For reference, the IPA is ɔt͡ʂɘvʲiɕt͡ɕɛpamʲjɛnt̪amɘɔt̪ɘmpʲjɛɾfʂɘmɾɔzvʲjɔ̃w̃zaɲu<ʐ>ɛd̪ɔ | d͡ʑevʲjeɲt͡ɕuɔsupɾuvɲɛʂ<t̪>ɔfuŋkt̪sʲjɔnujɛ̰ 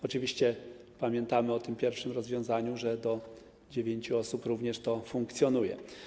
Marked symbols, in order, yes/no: yes, yes

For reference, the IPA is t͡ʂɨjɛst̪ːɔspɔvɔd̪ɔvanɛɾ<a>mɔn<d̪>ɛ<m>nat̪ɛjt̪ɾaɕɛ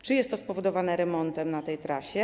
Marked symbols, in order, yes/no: no, no, yes

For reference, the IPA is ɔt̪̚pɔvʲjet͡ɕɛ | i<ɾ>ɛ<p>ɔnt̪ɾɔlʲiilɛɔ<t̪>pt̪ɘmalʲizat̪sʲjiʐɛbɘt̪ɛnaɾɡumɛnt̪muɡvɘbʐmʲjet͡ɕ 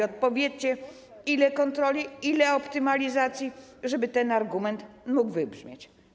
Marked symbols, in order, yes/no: no, no, no

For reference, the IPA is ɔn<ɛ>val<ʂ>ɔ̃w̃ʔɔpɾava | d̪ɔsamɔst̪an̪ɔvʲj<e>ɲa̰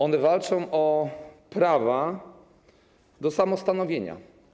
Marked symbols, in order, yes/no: yes, no, yes

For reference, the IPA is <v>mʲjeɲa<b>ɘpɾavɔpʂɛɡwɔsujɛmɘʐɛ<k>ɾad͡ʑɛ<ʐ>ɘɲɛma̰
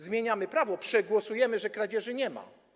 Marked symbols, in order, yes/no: no, no, yes, yes

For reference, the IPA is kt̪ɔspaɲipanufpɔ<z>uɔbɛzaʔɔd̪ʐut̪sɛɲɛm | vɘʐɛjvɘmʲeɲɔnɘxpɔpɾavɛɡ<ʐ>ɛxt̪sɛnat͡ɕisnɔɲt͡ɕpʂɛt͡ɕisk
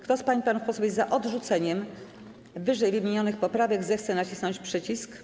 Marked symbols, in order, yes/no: no, no

